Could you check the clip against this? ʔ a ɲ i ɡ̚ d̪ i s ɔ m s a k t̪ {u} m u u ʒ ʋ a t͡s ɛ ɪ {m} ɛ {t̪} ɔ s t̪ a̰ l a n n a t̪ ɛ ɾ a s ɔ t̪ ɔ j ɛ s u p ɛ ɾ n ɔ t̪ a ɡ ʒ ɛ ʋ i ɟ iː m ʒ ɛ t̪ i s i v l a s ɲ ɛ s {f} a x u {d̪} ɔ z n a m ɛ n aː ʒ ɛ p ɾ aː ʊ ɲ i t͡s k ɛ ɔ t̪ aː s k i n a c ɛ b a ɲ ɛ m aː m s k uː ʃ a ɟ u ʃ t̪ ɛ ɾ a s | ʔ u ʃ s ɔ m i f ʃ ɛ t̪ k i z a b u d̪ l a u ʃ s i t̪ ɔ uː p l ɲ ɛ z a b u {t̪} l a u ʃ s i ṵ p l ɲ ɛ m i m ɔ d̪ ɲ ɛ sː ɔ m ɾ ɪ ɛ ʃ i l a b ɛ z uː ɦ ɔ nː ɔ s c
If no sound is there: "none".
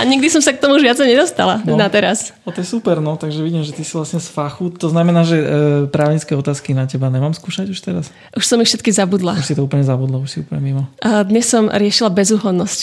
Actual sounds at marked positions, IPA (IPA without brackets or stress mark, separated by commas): ɔ, ɲ, d̪, f, t̪, d̪